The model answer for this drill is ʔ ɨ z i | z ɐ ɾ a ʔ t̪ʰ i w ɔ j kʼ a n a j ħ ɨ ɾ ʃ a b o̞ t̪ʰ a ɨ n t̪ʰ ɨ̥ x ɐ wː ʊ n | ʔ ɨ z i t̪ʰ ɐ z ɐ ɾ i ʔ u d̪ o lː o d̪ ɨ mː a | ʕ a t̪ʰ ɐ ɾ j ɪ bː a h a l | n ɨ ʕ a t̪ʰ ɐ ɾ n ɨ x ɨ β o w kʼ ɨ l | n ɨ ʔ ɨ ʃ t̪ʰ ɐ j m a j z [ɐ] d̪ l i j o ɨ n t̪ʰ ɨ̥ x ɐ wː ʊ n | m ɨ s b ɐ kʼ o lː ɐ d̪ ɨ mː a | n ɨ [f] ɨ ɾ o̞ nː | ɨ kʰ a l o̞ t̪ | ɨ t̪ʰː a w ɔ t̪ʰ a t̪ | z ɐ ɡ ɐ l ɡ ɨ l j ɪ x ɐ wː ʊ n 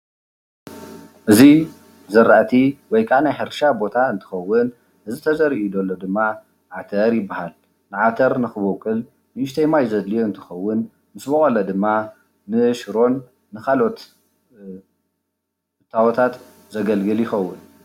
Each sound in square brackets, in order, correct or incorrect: correct, incorrect: ʃ

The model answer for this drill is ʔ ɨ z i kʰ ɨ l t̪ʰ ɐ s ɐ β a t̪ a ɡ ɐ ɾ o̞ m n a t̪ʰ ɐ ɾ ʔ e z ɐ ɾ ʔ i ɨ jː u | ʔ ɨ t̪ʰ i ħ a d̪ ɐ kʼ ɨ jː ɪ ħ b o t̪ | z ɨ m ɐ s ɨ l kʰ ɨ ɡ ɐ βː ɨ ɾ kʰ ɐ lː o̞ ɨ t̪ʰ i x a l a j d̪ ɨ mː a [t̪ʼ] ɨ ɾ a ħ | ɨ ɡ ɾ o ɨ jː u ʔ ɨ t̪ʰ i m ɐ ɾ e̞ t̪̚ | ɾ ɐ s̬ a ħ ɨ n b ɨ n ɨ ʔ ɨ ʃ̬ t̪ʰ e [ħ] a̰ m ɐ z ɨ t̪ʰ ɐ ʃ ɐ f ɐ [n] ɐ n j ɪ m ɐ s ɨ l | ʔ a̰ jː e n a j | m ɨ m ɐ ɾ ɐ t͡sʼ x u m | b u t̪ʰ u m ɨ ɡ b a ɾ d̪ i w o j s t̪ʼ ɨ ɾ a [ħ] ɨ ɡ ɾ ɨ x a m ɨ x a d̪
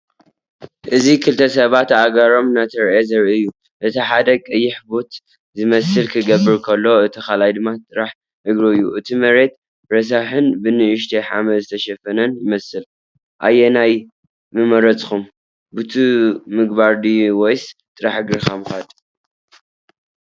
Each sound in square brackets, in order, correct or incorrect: correct, correct, correct, correct

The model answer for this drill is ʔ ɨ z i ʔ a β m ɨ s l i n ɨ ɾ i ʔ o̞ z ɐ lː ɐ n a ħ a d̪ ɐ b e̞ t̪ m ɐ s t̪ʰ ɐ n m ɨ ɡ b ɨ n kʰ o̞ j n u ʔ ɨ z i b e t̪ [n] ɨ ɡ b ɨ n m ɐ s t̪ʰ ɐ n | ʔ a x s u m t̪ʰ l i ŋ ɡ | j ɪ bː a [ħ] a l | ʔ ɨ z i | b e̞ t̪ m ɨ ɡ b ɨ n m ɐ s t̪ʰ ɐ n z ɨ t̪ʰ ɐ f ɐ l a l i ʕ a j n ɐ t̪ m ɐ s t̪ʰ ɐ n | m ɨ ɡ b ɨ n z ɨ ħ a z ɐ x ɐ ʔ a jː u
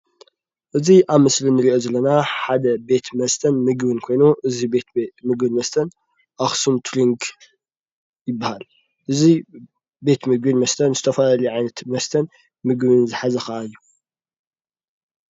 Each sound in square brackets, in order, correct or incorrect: incorrect: m, incorrect: h

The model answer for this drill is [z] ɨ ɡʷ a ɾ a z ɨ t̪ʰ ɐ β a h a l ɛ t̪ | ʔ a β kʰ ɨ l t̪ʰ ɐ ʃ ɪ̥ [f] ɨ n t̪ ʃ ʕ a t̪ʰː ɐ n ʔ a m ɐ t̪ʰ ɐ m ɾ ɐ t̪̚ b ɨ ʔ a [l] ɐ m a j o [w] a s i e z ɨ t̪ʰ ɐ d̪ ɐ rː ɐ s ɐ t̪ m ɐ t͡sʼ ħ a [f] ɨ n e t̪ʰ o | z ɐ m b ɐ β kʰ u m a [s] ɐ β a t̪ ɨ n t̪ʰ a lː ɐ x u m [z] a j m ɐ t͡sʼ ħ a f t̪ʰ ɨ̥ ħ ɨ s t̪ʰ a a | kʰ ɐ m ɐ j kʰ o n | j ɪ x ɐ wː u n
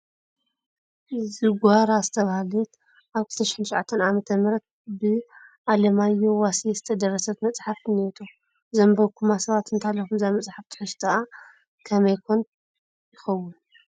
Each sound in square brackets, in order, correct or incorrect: correct, incorrect: ħ, correct, correct, correct, correct, correct

